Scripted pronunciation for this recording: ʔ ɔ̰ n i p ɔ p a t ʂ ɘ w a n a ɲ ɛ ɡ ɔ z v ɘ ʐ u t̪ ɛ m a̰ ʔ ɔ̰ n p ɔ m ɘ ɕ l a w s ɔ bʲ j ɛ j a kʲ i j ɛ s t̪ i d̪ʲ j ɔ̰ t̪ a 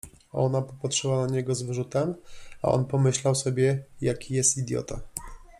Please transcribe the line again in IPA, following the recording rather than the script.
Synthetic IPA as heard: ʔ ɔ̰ n a p ɔ p a t ʂ ɘ w a n a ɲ ɛ ɡ ɔ z v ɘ ʐ u t̪ ɛ m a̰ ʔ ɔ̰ n p ɔ m ɘ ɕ l a w s ɔ bʲ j ɛ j a kʲ i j ɛ s t̪ i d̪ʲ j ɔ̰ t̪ a